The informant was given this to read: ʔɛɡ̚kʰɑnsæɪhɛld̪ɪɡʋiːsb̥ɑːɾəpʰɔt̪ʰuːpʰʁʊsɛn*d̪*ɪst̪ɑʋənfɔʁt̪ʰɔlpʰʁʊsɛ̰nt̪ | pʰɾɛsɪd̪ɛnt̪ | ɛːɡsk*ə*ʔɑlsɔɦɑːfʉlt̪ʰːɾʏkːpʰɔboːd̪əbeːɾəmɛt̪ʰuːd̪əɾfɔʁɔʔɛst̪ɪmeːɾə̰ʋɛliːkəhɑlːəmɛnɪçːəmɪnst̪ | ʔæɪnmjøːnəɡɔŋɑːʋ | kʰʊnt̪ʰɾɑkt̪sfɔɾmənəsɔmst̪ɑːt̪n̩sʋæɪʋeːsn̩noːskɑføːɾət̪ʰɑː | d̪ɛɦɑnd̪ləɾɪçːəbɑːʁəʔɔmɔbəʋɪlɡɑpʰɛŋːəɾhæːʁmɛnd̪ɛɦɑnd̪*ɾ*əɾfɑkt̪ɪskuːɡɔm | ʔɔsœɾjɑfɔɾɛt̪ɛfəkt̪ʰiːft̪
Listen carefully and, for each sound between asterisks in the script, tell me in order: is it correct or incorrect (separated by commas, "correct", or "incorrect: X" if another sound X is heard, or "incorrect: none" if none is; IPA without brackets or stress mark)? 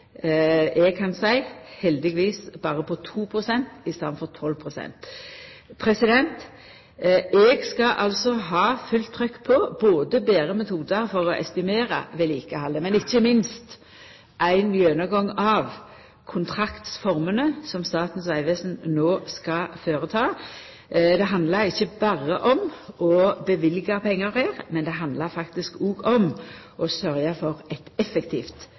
incorrect: t̪, incorrect: ɑ, incorrect: l